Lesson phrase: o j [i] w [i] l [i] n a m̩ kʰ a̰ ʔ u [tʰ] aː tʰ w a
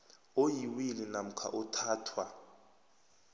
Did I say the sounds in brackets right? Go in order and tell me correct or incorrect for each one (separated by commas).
correct, correct, correct, correct